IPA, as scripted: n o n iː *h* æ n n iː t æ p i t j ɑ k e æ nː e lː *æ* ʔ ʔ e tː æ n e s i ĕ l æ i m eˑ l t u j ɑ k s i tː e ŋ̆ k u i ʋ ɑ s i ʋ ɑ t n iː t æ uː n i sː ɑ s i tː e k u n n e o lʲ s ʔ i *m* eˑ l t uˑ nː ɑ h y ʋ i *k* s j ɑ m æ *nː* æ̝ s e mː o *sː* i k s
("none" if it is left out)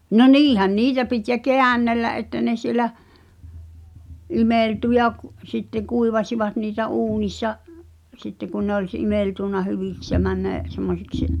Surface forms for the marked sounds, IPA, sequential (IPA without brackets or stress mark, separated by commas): h, æ, m, k, nː, s